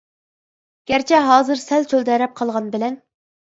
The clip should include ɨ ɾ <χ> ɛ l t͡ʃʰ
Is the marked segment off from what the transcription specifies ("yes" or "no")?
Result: yes